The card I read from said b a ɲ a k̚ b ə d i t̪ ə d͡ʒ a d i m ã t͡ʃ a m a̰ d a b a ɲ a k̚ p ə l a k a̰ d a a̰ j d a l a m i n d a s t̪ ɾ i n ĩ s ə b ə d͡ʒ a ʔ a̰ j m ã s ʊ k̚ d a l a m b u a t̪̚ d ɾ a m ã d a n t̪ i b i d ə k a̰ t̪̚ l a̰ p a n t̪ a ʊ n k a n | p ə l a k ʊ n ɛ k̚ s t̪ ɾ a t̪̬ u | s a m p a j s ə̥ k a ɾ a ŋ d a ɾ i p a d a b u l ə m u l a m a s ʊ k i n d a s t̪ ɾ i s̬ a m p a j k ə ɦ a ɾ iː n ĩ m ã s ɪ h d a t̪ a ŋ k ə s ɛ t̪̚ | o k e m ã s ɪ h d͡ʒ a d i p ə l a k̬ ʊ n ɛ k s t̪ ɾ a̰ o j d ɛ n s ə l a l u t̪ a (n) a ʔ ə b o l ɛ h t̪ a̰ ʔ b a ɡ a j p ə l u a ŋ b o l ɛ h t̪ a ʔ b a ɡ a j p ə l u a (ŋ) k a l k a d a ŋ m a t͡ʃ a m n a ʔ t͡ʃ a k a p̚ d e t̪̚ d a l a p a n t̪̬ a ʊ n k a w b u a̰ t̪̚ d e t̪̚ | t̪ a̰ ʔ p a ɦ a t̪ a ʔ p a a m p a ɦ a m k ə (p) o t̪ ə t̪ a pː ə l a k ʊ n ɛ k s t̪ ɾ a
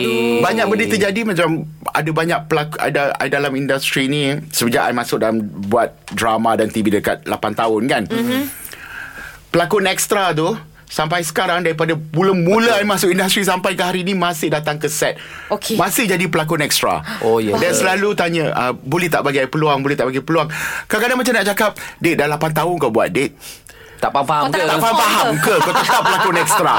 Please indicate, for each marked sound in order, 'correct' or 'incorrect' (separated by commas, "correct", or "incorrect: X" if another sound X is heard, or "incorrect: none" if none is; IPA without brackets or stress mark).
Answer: incorrect: ɲ, correct, incorrect: k